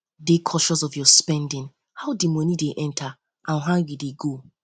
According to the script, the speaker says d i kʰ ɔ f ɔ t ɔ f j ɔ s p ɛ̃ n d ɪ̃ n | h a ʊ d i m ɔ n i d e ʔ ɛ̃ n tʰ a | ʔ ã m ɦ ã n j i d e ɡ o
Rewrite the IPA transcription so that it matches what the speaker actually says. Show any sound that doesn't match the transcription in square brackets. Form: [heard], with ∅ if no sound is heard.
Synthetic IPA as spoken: d [e] kʰ ɔ [ʃ] ɔ [s] ɔ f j ɔ s p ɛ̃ n d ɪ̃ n | h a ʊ d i m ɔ n i d e ʔ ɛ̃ n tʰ a | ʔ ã [n] ɦ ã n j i d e ɡ o